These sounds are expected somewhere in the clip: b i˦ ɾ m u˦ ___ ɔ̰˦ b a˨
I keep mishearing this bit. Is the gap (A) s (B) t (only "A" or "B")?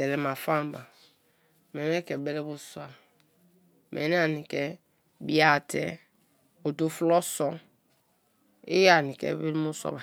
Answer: A